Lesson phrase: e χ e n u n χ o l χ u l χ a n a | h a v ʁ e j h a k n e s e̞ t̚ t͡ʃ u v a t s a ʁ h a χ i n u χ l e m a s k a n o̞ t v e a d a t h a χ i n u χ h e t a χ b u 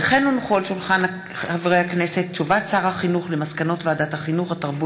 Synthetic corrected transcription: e χ e n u n χ o l ʃ u l χ a n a | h a v ʁ e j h a k n e s e̞ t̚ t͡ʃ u v a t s a ʁ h a χ i n u χ l e m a s k a n o̞ t v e a d a t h a χ i n u χ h a t a ʁ b u